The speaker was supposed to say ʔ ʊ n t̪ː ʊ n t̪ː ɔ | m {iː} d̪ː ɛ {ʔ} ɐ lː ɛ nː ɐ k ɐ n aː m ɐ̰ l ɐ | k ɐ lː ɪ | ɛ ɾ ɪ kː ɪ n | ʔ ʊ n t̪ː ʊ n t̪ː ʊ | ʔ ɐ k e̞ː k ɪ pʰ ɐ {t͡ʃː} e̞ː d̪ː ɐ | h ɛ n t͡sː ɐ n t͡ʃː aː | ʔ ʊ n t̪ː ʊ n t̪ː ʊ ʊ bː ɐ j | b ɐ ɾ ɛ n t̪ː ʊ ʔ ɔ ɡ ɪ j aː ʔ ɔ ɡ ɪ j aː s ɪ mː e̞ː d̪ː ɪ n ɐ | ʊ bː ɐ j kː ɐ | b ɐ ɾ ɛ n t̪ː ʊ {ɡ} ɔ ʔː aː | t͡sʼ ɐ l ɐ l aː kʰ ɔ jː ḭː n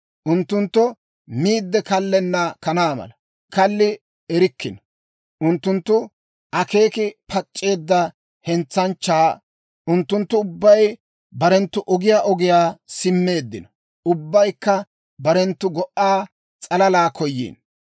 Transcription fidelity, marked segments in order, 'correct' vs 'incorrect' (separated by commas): correct, incorrect, incorrect, correct